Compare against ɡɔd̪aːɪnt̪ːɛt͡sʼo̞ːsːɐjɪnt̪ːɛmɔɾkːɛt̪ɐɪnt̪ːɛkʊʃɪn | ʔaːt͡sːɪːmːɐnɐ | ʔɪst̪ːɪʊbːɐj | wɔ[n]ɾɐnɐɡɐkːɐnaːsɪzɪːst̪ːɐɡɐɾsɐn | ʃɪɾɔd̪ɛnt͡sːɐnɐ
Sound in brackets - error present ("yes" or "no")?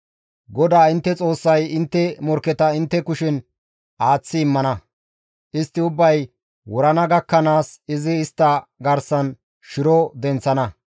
yes